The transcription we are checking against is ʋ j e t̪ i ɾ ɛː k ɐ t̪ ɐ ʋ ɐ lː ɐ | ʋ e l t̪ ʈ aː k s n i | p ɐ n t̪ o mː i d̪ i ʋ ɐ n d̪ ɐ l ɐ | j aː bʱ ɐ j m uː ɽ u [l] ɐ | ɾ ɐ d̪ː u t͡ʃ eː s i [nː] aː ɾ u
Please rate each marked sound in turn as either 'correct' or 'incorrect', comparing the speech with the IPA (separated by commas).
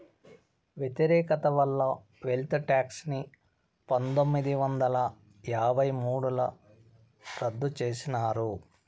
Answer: correct, incorrect